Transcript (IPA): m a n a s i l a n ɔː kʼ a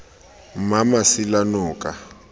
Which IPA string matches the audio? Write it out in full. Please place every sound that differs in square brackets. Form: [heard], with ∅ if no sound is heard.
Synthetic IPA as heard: m a [m] a s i l a n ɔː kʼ a